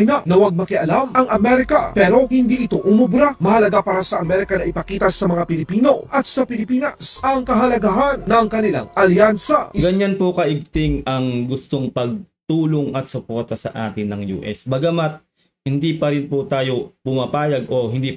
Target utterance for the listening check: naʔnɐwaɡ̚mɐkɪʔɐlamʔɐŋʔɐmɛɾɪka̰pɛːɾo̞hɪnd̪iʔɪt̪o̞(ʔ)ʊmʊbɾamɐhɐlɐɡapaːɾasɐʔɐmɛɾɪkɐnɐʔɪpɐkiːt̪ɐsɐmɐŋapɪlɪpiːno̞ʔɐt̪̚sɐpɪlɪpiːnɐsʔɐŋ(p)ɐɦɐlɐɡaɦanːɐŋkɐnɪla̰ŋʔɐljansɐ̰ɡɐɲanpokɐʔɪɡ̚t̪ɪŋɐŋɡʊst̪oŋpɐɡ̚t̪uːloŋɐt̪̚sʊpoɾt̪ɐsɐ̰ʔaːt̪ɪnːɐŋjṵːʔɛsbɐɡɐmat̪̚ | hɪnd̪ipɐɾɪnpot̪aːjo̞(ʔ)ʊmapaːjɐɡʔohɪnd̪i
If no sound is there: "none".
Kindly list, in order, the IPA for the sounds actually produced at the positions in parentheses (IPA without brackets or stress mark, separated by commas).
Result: ʔ, k, p